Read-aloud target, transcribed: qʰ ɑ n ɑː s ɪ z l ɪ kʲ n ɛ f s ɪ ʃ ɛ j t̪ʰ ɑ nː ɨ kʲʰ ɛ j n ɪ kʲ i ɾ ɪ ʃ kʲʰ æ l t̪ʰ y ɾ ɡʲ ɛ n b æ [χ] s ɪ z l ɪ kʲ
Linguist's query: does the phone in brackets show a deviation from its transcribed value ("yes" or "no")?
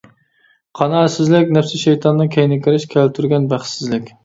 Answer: no